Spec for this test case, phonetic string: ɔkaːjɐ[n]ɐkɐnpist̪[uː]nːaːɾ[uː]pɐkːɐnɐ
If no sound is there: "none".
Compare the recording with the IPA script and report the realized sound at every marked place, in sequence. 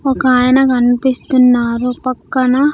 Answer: n, u, u

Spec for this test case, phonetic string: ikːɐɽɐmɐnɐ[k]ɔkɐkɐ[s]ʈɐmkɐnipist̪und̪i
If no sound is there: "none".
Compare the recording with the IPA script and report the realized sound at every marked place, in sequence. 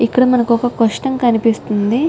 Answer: k, ʂ

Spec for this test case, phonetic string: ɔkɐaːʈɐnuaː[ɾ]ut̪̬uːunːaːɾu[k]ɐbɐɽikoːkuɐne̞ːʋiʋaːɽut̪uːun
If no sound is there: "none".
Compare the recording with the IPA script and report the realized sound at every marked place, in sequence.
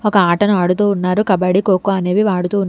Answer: ɽ, k

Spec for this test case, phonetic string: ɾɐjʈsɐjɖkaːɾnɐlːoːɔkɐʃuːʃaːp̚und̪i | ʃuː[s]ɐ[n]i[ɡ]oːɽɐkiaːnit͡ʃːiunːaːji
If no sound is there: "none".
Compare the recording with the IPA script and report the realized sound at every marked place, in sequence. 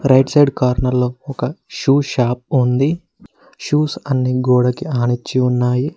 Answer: s, nː, ɡ

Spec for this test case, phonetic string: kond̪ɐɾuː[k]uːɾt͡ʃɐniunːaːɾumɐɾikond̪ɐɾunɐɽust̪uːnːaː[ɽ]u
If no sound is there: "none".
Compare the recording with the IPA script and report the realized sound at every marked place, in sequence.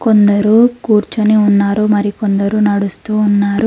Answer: k, ɾ

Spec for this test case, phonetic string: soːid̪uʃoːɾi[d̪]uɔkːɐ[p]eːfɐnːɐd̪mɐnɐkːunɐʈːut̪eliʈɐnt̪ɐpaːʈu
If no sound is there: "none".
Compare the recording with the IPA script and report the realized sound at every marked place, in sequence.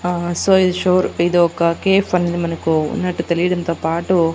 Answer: d̪, k

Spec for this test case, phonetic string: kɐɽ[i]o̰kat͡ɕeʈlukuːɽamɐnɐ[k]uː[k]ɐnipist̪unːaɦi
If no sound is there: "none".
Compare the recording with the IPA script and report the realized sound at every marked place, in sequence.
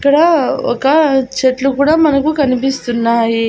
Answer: a, k, k

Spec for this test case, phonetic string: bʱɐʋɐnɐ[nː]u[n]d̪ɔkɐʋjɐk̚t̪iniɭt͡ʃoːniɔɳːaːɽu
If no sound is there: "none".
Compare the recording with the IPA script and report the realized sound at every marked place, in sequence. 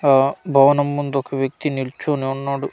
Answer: mː, n

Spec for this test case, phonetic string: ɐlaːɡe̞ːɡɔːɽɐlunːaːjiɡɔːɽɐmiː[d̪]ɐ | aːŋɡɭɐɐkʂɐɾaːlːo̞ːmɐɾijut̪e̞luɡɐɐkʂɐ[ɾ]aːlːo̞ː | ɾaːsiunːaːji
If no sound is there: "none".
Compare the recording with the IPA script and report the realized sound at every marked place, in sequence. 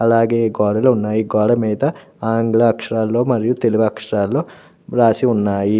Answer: d̪, ɾ

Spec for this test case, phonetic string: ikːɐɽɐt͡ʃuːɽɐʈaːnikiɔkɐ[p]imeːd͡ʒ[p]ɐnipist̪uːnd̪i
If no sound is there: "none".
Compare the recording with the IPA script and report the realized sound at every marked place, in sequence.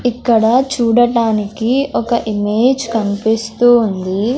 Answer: ʔ, k

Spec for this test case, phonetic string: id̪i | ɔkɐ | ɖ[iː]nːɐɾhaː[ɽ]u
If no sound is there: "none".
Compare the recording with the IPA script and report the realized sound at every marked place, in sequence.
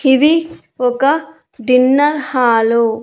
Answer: i, l

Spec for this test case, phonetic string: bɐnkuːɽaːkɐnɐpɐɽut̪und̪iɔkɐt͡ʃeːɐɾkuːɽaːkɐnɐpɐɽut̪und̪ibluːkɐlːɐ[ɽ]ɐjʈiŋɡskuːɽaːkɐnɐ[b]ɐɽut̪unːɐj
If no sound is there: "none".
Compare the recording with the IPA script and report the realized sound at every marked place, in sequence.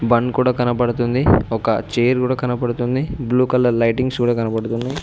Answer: l, p

